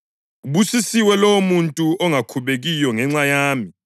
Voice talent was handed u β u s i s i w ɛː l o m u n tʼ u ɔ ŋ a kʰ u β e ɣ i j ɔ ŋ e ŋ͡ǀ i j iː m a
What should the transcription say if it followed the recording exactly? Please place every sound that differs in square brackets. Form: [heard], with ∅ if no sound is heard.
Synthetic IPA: u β u s i s i w [ɛ] l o m u n tʼ u ɔ ŋ a kʰ u β e ɣ i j ɔ ŋ [ɛ] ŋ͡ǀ [a] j [aː] m [i]